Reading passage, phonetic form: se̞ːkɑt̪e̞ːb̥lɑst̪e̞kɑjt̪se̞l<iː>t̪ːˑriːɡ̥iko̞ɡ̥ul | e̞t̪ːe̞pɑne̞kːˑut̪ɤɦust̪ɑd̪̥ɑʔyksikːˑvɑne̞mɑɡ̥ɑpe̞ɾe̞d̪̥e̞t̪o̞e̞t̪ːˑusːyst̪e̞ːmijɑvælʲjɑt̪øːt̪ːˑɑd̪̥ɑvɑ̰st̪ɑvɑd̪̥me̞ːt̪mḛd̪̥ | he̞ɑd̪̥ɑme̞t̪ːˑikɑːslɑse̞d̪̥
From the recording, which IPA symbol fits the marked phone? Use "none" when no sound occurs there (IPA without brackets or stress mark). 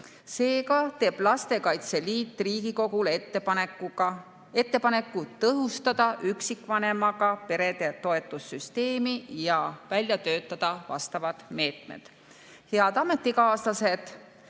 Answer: iː